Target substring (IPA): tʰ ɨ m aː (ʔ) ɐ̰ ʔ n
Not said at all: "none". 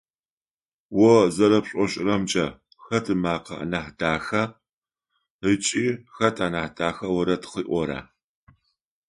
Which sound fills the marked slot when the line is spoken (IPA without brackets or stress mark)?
q